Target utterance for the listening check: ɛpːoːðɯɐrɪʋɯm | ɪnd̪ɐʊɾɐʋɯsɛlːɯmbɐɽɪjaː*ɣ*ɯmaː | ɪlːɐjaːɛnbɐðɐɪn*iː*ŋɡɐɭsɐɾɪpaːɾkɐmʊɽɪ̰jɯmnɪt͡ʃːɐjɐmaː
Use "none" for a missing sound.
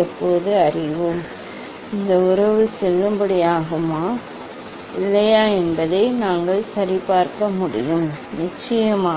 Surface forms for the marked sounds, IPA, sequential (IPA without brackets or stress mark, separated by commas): ɣ, aː